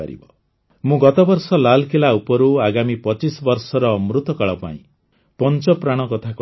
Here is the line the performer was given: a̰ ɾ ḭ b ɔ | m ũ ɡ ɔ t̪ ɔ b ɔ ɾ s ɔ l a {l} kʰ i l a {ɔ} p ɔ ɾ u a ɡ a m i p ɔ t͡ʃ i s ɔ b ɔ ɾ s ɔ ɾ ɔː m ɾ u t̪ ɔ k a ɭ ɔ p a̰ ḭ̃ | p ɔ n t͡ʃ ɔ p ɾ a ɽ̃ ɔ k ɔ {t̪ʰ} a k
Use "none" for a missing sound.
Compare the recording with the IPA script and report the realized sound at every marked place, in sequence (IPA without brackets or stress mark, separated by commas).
l, u, t̪ʰ